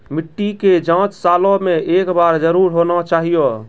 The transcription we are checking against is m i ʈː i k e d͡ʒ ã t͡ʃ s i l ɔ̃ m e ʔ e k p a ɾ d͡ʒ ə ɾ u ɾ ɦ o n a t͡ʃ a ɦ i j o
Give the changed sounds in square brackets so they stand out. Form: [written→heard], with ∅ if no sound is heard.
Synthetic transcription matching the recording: m i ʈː i k e d͡ʒ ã t͡ʃ s [i→a] l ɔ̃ m e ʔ e k [p→b] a ɾ d͡ʒ ə ɾ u ɾ ɦ o n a t͡ʃ a ɦ i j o